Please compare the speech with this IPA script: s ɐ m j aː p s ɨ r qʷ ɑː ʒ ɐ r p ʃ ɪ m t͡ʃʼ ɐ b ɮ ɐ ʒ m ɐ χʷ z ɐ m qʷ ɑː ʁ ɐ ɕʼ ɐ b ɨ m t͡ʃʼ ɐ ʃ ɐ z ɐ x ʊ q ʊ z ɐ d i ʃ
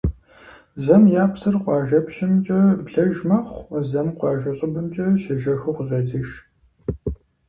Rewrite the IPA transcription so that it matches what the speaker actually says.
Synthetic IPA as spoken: z ɐ m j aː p s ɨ r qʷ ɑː ʒ ɐ p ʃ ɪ m t͡ʃʼ ɐ b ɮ ɐ ʒ m ɐ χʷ z ɐ m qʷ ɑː ʒ ɐ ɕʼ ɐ b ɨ m t͡ʃʼ ɐ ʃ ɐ ʒ ɐ x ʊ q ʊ z ɐ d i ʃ

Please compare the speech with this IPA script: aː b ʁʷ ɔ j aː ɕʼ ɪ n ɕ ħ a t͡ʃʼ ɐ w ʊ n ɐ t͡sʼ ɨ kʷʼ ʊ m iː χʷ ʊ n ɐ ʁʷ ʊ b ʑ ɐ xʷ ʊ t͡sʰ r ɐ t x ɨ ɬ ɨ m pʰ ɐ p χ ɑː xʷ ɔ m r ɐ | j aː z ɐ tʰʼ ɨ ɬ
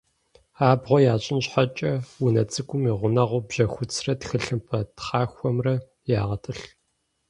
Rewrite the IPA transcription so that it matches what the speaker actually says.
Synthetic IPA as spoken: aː b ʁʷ ɔ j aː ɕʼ ɪ n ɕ ħ a t͡ʃʼ ɐ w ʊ n ɐ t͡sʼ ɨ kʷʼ ʊ m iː ʁʷ ʊ n ɐ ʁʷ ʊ b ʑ ɐ xʷ ʊ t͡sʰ r ɐ t x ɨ ɬ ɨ m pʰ ɐ t χ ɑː xʷ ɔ m r ɐ | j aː ʁ ɐ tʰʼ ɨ ɬ

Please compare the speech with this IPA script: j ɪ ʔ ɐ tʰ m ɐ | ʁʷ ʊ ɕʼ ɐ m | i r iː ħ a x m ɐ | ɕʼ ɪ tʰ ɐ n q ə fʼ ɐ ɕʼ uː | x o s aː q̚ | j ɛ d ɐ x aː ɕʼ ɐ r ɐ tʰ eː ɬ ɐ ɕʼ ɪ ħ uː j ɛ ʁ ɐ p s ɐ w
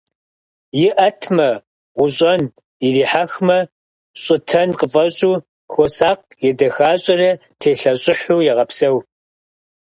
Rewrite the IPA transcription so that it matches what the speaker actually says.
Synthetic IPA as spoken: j ɪ ʔ ɐ tʰ m ɐ | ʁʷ ʊ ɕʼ ɐ n | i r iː ħ a x m ɐ | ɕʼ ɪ tʰ ɐ n q ə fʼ ɐ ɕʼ uː | x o s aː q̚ | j ɛ d ɐ x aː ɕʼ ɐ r ɐ tʰ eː ɬ ɐ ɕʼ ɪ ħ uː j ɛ ʁ ɐ p s ɐ w

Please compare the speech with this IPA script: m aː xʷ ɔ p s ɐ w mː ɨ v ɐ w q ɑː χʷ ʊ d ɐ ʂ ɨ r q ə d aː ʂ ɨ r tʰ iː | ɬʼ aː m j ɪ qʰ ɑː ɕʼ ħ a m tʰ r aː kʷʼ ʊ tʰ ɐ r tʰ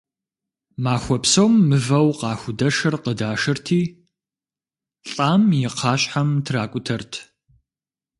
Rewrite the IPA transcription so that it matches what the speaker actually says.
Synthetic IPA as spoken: m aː xʷ ɔ p s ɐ w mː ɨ v ɐ w q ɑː xʷ ʊ d ɐ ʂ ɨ r q ə d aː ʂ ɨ r tʰ iː | ɬʼ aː m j ɪ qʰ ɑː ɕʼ ħ a m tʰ r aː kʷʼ ʊ tʰ ɐ r tʰ

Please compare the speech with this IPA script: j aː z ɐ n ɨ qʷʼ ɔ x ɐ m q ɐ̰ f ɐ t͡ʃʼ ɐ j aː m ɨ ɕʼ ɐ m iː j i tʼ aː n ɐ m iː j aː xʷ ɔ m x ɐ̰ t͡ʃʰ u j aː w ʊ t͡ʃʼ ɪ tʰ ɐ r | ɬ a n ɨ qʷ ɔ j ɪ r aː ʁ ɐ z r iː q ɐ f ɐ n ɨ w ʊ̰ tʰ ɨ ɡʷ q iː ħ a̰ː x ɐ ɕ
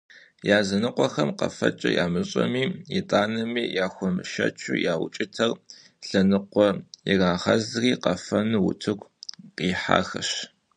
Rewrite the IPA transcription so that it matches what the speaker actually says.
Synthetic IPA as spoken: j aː z ɐ n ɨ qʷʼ ɔ x ɐ m q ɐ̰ f ɐ t͡ʃʼ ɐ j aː m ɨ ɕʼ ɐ m iː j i tʼ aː n ɐ m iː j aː xʷ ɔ m ʃ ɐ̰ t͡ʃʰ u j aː w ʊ t͡ʃʼ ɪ tʰ ɐ r | ɬ ɐ n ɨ qʷ ɔ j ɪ r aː ʁ ɐ z r iː q ɐ f ɐ n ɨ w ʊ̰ tʰ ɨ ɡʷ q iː ħ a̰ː x ɐ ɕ

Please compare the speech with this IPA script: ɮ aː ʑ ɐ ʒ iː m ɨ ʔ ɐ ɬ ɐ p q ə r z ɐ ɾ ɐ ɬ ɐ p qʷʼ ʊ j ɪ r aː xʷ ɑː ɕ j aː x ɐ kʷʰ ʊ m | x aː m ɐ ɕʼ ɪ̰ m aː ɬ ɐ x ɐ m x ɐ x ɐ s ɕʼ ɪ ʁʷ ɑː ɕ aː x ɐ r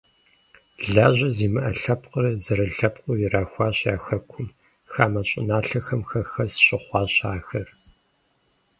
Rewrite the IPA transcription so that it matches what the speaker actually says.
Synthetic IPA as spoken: ɮ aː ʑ ɐ z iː m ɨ ʔ ɐ ɬ ɐ p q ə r z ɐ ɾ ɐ ɬ ɐ p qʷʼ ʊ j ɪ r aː xʷ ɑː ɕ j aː x ɐ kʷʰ ʊ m | x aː m ɐ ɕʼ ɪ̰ n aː ɬ ɐ x ɐ m x ɐ x ɐ s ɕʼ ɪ χʷ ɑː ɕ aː x ɐ r

